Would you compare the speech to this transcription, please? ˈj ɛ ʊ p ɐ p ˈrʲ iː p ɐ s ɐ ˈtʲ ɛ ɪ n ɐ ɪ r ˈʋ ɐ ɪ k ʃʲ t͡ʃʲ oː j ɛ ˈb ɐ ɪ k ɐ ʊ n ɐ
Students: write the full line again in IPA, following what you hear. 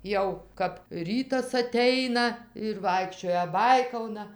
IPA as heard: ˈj ɛ ʊ k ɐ p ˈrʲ iː t ɐ s ɐ ˈtʲ ɛ ɪ n ɐ ɪ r ˈʋ ɐ ɪ k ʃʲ t͡ʃʲ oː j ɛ ˈb ɐ ɪ k ɐ ʊ n ɐ